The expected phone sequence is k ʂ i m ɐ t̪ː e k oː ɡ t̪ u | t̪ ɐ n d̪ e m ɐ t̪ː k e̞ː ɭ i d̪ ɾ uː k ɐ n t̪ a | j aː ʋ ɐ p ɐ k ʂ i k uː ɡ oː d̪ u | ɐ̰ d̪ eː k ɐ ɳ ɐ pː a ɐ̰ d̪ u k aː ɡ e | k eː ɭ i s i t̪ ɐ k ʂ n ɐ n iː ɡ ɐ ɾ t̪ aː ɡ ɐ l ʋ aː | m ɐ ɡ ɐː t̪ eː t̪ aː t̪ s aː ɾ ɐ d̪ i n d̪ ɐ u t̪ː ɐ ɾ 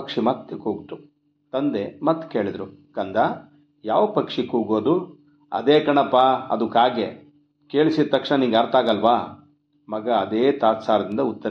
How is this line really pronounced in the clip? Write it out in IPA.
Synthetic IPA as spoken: k ʂ i m ɐ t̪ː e k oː ɡ t̪ u | t̪ ɐ n d̪ e m ɐ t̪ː k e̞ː ɭ i d̪ ɾ u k ɐ n d̪ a | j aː ʋ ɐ p ɐ k ʂ i k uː ɡ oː d̪ u | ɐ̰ d̪ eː k ɐ ɳ ɐ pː a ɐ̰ d̪ u k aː ɡ e | k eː ɭ i s i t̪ ɐ k ʂ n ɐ n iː ɡ ɐ ɾ t̪ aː ɡ ɐ l ʋ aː | m ɐ ɡ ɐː d̪ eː t̪ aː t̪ s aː ɾ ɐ d̪ i n d̪ ɐ u t̪ː ɐ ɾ